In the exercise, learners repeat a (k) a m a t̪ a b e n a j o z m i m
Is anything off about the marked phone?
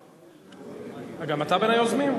yes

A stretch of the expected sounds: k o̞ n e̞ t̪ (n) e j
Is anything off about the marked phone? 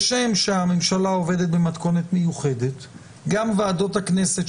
yes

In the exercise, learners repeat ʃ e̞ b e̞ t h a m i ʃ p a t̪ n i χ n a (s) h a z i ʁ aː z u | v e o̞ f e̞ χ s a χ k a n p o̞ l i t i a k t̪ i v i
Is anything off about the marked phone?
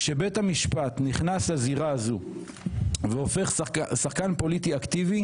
no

